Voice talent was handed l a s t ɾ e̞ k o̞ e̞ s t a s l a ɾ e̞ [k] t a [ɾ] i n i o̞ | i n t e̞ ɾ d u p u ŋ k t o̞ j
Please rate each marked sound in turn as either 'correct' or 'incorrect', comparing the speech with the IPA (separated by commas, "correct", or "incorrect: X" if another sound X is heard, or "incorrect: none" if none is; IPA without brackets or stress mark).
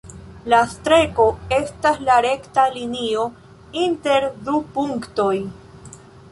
correct, incorrect: l